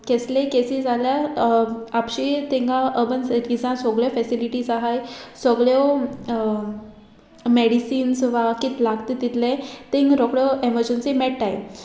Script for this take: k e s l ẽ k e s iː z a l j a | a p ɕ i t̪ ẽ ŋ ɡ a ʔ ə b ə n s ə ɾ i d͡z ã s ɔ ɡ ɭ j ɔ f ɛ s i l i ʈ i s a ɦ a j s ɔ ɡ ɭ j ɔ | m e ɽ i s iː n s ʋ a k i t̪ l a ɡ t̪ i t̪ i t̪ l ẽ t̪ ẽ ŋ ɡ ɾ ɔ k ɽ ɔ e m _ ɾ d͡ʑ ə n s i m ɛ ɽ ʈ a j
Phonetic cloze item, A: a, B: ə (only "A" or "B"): B